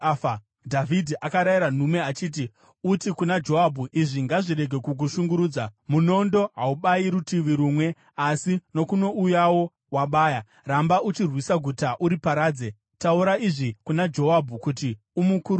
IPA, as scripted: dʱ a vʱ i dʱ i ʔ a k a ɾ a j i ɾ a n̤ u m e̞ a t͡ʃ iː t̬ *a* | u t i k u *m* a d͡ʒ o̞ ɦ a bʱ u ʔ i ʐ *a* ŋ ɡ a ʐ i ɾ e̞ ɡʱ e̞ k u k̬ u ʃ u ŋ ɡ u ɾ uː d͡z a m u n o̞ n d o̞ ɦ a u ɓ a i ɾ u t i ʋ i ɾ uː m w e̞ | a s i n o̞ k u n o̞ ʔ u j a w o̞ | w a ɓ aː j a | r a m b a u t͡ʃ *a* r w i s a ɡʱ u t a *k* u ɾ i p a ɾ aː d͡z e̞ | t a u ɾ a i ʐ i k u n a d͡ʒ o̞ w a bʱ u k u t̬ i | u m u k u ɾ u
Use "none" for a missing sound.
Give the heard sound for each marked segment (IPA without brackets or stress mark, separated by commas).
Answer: i, n, i, i, ʔ